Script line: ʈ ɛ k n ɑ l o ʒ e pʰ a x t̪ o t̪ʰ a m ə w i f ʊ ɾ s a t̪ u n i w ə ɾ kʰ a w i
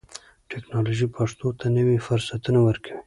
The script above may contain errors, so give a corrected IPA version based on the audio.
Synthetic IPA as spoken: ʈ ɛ k n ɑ l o ʒ i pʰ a ʂ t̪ o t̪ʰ a n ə w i f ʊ ɾ s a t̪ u n a w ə ɾ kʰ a w i